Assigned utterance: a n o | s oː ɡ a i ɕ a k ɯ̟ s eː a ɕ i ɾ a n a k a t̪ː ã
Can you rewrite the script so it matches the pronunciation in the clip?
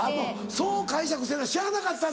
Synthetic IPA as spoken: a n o | s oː k a i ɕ a k ɯ̟ s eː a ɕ i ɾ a n a k a t̪ː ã